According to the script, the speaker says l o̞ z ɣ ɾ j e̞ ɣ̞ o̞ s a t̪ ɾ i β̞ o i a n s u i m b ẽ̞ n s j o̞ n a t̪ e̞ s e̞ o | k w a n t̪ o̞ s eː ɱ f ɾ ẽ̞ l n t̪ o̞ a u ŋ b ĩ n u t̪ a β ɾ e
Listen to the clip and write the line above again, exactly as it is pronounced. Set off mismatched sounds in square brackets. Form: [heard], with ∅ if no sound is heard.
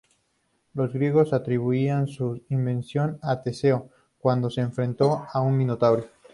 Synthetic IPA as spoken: l o̞ z ɣ ɾ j e̞ ɣ̞ o̞ s a t̪ ɾ i β̞ [u] i a n s u i m b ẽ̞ n s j o̞ n a t̪ e̞ s e̞ o | k w a n [d̪] o̞ s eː ɱ f ɾ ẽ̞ [∅] n t̪ o̞ a u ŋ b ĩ n [o] t̪ a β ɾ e